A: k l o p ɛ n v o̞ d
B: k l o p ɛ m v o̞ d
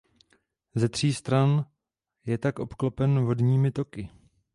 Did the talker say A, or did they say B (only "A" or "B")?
A